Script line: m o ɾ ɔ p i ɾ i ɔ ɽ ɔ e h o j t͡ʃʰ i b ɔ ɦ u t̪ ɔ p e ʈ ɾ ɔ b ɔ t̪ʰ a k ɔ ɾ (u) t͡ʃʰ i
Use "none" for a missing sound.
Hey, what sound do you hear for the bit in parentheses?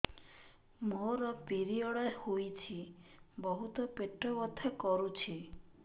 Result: u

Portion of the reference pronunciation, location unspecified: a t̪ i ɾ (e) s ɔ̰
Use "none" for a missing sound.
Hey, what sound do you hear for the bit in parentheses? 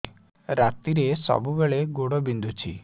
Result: e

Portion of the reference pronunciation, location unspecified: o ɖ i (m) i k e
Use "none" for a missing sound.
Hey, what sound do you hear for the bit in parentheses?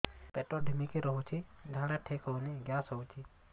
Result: m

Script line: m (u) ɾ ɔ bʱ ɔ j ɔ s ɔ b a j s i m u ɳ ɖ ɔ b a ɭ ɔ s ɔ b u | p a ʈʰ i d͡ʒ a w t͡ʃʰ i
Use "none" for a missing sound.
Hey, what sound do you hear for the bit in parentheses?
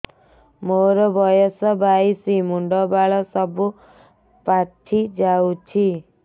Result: o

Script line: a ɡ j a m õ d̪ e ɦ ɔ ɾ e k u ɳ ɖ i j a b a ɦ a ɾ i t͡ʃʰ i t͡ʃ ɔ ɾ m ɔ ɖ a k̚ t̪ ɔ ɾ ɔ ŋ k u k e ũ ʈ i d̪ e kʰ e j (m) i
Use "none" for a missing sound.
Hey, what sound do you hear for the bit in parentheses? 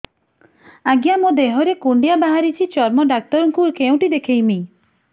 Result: m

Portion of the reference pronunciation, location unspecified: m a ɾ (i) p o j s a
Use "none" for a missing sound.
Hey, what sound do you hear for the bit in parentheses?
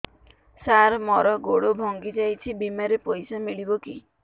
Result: e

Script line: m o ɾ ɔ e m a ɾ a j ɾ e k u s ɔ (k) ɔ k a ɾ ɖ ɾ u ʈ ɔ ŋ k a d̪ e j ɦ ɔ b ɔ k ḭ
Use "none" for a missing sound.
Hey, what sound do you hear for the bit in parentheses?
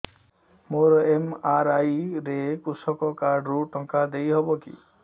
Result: k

